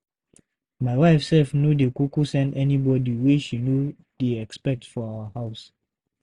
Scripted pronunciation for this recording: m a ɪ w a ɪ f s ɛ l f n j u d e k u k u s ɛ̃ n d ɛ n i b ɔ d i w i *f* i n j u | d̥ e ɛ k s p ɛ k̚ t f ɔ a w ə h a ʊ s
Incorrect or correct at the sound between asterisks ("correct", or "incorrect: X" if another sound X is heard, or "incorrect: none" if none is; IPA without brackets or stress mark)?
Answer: incorrect: ʃ